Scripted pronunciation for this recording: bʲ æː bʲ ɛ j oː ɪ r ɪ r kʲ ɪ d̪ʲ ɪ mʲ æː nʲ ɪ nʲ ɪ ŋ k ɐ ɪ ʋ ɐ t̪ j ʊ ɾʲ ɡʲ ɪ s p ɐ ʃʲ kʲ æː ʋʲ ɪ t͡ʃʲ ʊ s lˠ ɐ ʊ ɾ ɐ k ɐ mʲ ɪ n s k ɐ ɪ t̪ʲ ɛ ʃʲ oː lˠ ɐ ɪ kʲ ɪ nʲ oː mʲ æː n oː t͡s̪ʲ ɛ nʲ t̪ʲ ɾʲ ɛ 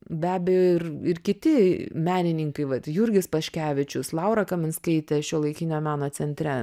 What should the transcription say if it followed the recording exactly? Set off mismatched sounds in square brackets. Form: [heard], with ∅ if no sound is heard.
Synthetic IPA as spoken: bʲ æː bʲ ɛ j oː ɪ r ɪ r kʲ ɪ [t̪ʲ] ɪ mʲ æː nʲ ɪ nʲ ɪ ŋ k ɐ ɪ ʋ ɐ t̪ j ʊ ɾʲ ɡʲ ɪ s p ɐ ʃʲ kʲ æː ʋʲ ɪ t͡ʃʲ ʊ s lˠ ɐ ʊ ɾ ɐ k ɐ mʲ ɪ n s k ɐ ɪ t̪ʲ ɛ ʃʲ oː lˠ ɐ ɪ kʲ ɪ nʲ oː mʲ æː n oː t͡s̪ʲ ɛ nʲ t̪ʲ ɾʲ ɛ